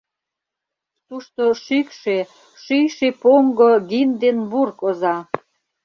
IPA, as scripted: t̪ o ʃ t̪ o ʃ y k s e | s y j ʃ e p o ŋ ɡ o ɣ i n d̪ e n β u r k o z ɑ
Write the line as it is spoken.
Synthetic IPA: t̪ u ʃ t̪ o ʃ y k ʃ e | ʃ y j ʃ e p o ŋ ɡ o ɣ i n d̪ e n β u r k o z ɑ